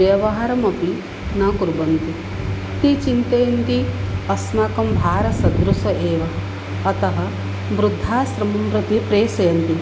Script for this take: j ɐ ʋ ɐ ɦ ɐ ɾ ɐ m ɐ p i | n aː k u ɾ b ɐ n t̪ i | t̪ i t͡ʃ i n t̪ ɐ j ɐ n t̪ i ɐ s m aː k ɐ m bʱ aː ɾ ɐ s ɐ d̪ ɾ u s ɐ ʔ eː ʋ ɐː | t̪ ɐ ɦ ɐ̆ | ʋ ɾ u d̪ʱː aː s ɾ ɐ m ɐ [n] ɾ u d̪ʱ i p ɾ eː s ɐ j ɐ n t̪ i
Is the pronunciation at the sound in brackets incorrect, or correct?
incorrect